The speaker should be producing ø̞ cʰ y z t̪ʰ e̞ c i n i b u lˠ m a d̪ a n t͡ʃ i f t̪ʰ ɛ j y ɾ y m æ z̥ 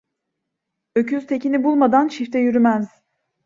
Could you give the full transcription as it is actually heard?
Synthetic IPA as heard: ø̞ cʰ y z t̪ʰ e̞ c i n i b u lˠ m a d̪ a n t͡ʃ i f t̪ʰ ɛ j y ɾ y m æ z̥